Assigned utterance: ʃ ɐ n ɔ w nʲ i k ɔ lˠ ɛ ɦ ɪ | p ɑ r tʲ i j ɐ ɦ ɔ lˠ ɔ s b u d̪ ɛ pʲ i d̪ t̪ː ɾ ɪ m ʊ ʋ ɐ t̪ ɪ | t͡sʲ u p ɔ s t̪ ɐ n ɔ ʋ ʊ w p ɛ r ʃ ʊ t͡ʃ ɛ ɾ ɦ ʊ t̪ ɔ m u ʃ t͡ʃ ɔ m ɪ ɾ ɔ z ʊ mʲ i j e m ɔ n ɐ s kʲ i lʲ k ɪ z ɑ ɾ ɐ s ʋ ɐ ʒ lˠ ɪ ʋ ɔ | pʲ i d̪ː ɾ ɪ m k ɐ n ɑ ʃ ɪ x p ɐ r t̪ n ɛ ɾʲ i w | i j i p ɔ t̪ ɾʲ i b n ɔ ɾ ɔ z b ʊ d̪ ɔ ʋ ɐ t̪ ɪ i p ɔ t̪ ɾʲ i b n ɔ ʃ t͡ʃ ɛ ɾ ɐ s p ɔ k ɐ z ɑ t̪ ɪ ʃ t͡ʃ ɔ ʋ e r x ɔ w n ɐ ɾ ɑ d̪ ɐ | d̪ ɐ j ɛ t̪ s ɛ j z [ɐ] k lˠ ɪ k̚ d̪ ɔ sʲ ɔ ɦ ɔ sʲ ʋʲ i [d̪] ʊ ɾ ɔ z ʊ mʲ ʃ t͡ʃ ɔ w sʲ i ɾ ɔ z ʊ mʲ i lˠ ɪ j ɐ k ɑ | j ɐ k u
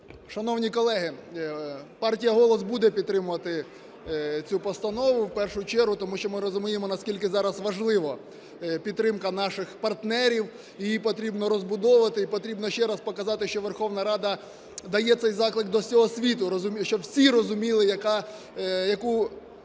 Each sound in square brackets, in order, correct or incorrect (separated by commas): incorrect, incorrect